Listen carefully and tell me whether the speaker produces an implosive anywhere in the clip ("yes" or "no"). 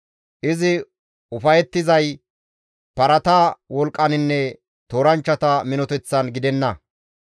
no